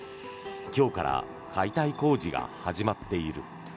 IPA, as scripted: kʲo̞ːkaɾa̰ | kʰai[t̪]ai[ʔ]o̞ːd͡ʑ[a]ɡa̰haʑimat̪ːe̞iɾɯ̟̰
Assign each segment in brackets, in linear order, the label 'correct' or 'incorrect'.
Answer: correct, incorrect: k, incorrect: i

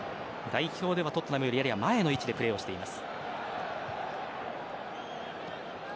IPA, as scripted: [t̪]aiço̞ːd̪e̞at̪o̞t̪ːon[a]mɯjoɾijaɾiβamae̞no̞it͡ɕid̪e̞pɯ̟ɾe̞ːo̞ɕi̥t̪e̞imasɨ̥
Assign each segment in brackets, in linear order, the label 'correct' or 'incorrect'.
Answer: incorrect: d̪, correct

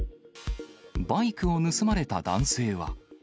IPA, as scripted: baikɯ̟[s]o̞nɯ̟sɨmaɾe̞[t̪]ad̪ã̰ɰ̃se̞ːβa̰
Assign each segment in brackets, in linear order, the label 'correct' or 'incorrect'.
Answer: incorrect: none, correct

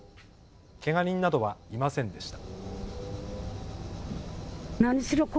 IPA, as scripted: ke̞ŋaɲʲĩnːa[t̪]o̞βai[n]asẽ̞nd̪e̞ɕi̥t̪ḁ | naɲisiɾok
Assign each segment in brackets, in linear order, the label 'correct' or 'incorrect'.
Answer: incorrect: d̪, incorrect: m

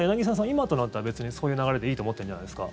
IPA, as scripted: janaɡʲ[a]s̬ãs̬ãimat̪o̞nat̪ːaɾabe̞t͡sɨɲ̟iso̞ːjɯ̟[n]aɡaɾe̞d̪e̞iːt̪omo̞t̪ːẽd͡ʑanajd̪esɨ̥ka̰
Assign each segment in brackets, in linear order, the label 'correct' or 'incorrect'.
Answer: incorrect: i, correct

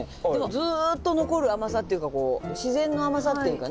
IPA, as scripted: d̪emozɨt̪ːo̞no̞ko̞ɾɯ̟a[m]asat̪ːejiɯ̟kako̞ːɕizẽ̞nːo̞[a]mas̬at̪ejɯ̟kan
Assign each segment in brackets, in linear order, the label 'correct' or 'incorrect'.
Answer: correct, correct

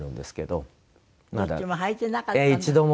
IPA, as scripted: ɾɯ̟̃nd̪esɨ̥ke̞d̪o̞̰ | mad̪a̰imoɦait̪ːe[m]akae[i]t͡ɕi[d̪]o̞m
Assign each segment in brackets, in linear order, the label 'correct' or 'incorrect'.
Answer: incorrect: n, correct, correct

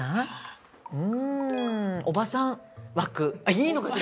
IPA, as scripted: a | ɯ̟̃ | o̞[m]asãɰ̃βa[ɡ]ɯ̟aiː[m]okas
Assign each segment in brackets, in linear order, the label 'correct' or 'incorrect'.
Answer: incorrect: b, incorrect: k, incorrect: n

